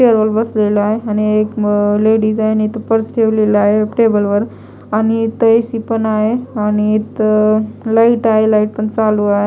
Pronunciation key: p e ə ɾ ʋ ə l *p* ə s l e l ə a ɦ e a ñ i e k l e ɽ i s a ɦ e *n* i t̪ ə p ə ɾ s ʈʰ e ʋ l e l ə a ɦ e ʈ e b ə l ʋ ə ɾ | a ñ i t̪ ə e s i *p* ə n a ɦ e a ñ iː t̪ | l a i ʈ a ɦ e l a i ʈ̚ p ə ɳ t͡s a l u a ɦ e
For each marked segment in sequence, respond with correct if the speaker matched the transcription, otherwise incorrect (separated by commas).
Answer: incorrect, correct, correct